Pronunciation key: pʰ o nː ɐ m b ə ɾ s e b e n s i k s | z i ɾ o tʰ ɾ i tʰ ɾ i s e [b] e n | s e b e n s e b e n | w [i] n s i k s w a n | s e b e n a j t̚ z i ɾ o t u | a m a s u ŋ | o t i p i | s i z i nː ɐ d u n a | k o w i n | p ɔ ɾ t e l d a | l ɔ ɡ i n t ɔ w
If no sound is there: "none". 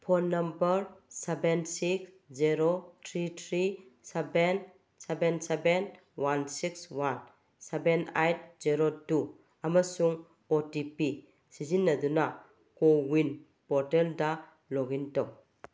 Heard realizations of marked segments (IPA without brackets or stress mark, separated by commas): b, a